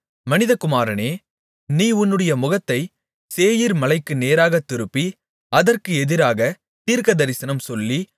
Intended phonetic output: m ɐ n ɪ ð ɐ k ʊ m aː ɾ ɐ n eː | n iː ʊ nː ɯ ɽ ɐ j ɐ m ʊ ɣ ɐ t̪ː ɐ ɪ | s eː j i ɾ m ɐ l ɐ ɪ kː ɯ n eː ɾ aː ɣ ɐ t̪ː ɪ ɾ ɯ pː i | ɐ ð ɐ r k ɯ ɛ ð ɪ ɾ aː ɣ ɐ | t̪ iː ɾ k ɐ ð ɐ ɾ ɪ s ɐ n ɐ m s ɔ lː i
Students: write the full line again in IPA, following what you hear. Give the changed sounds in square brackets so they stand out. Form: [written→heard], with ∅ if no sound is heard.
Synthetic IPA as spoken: m ɐ n ɪ ð ɐ k ʊ m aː ɾ ɐ n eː | n iː ʊ nː ɯ ɽ ɐ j ɐ m ʊ ɣ ɐ t̪ː ɐ ɪ | s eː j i ɾ m ɐ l ɐ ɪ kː ɯ n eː ɾ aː ɣ ɐ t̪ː ɪ ɾ ɯ pː i | ɐ ð ɐ r k ɯ ɛ ð ɪ ɾ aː ɣ ɐ | t̪ iː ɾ k ɐ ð ɐ ɾ ɪ s ɐ n ɐ m s ɔ lː i